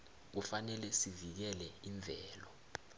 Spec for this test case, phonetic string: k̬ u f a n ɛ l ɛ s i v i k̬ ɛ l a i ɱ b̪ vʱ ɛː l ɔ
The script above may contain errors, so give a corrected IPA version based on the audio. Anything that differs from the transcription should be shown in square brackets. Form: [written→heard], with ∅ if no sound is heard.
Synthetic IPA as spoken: k̬ u f a n ɛ l ɛ s i v i k̬ ɛ l [a→ɛ] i ɱ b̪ vʱ ɛː l ɔ

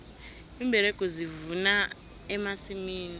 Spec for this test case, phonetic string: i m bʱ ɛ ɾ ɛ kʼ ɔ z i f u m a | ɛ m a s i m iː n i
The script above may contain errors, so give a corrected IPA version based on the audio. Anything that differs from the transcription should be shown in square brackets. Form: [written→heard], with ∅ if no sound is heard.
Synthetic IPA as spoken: i m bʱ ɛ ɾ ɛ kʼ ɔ z i [f→v] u [m→n] a | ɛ m a s i m iː n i

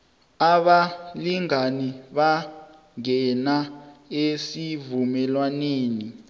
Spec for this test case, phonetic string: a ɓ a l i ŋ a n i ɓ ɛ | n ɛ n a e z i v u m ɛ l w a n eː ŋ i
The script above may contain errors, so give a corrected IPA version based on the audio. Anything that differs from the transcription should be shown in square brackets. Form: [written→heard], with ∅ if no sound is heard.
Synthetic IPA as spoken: a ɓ a l i ŋ a n i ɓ [ɛ→a] | [n→ŋ] ɛ n a e [z→s] i v u m ɛ l w a n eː [ŋ→n] i

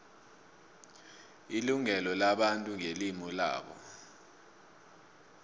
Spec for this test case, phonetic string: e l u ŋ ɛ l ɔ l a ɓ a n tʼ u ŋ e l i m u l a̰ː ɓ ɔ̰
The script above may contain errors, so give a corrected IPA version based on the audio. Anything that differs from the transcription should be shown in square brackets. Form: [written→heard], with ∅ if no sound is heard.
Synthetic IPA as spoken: [e→i] l u ŋ ɛ l ɔ l a ɓ a n tʼ u ŋ e l i m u l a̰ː ɓ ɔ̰

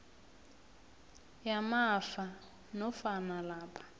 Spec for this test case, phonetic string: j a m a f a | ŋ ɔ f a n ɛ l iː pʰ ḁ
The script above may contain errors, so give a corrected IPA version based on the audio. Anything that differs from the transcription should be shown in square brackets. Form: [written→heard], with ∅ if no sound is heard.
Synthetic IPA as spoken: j a m a f a | [ŋ→n] ɔ f a n [ɛ→a] l [iː→aː] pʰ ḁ

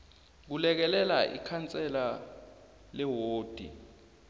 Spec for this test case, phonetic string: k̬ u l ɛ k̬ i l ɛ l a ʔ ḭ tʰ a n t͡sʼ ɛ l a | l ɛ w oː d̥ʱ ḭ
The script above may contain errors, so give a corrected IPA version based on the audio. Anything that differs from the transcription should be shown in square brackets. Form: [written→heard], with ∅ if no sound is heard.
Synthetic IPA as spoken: k̬ u l ɛ k̬ [i→ɛ] l ɛ l a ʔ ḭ [tʰ→kʰ] a n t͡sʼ ɛ l a | l ɛ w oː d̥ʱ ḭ

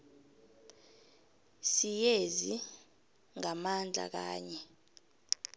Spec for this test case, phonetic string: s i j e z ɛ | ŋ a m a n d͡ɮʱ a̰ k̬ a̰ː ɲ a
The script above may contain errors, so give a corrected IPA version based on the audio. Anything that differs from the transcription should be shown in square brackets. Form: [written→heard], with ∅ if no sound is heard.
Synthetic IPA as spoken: s i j e z [ɛ→i] | ŋ a m a n d͡ɮʱ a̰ k̬ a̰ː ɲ [a→ɛ]

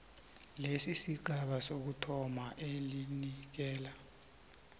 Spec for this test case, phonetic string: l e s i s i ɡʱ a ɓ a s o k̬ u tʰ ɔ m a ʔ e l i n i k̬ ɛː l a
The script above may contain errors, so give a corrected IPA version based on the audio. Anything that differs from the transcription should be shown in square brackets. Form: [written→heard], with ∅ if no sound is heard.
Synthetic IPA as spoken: l e s i s i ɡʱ a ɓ a s o k̬ u tʰ ɔ m a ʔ e l i n i k̬ ɛː l a

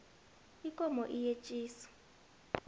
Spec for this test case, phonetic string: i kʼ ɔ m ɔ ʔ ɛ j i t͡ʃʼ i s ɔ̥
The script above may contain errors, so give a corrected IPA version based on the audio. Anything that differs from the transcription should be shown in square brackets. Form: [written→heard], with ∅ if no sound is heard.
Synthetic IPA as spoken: i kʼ ɔ m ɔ ʔ [ɛ→i] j [i→e] t͡ʃʼ [i→iː] s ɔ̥

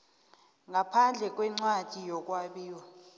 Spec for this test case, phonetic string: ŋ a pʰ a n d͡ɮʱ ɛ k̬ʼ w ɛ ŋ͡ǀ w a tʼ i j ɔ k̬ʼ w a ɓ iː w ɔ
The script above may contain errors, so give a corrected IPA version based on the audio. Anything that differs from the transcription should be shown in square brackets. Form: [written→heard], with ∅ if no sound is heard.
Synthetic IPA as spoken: ŋ a pʰ a n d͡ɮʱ ɛ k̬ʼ w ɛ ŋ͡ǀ w a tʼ i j ɔ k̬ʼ w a ɓ iː w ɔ

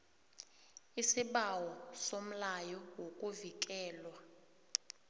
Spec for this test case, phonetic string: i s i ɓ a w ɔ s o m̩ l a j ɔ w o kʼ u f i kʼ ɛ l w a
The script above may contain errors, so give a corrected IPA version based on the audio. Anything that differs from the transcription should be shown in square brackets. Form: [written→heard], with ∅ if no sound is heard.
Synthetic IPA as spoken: i s i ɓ a w ɔ s o m̩ l a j ɔ w o kʼ u [f→v] i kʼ [ɛ→ɛː] l w a

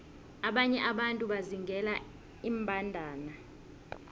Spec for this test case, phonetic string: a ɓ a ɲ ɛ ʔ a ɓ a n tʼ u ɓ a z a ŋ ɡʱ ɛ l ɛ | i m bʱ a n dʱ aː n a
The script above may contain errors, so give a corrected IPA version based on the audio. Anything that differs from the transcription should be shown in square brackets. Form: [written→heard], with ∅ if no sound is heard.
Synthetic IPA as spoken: a ɓ a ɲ ɛ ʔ a ɓ a n tʼ u ɓ a z [a→i] ŋ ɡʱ ɛ l [ɛ→a] | i m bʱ a n dʱ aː n a

